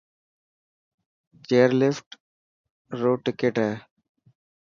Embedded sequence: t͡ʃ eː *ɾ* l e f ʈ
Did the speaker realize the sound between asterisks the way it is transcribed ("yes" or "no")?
yes